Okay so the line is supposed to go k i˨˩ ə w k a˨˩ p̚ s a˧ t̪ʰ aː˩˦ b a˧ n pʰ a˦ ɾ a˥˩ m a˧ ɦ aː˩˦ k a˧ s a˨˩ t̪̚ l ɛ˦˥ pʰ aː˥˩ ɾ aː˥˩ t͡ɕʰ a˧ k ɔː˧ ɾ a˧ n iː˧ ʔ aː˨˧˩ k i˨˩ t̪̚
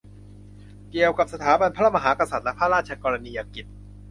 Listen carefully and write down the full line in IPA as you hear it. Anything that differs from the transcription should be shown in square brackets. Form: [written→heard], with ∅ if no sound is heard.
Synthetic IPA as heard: k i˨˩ ə w k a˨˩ p̚ s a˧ t̪ʰ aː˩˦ b a˧ n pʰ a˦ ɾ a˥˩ m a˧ ɦ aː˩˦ k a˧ s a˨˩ t̪̚ l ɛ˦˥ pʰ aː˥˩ ɾ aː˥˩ t͡ɕʰ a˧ k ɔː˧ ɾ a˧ n iː˧ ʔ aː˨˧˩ k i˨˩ t̪̚